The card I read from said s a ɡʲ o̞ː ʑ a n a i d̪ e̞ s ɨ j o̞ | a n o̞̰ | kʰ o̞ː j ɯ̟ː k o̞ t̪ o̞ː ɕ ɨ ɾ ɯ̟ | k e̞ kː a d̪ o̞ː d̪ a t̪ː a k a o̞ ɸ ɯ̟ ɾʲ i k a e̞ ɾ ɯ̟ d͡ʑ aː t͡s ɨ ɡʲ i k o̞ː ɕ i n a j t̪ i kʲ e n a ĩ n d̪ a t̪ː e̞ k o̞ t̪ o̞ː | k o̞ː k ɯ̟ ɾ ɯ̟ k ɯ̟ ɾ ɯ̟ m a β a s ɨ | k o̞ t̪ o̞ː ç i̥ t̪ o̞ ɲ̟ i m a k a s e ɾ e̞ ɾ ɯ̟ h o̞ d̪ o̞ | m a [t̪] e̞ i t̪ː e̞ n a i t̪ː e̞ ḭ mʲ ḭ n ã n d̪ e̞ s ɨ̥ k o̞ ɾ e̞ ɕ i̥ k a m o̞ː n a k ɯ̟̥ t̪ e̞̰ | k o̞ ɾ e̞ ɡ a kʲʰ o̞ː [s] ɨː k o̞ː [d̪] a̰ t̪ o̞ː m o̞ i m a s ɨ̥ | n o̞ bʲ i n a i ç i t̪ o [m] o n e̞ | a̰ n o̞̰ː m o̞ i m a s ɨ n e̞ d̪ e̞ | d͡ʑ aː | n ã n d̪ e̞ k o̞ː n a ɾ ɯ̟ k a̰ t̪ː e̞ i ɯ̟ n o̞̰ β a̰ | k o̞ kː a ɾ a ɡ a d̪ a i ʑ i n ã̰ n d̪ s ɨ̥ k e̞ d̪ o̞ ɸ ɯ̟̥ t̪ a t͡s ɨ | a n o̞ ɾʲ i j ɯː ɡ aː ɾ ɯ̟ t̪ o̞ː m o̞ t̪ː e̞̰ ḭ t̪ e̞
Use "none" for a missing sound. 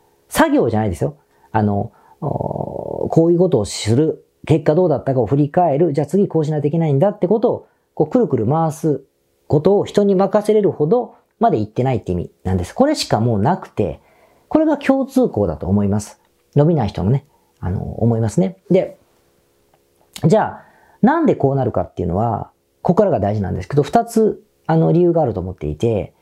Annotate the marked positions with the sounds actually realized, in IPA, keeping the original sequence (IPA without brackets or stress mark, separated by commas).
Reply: d̪, t͡s, d̪, n